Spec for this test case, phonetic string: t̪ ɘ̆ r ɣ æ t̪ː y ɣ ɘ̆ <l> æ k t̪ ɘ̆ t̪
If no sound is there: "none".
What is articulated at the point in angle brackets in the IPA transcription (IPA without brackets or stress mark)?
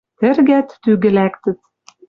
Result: l